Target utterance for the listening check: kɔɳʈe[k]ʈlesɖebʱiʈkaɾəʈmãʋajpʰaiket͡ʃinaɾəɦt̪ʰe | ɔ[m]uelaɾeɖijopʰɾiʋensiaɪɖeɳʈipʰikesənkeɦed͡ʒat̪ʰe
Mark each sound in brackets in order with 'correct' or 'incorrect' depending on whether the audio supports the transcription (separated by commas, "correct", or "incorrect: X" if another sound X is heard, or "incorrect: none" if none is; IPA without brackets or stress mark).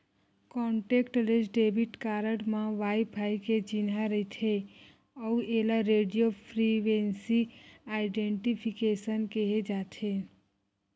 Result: correct, incorrect: none